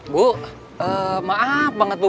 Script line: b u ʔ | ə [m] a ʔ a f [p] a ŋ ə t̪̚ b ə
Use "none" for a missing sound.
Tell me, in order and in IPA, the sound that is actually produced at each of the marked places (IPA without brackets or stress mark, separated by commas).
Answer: m, b